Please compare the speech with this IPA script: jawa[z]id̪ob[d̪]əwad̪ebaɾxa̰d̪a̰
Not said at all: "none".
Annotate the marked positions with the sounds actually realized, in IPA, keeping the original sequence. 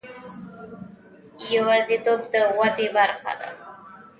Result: z, d̪

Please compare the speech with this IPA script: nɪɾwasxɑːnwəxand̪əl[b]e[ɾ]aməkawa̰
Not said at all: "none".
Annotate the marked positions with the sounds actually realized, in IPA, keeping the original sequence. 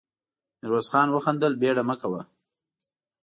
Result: b, ɽ

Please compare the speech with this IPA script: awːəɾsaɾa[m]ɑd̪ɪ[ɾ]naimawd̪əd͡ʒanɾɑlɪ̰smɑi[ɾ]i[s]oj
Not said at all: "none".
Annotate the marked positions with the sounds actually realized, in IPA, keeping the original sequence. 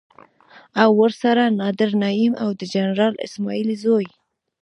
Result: n, ɾ, l, z

